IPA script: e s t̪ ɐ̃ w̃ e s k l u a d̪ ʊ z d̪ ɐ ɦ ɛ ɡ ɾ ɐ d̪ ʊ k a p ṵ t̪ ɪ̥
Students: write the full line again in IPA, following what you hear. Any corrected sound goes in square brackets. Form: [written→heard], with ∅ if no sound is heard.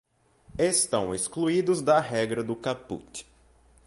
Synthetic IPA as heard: e s t̪ ɐ̃ w̃ e s k l u [a→i] d̪ ʊ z d̪ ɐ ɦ ɛ ɡ ɾ ɐ d̪ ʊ k a p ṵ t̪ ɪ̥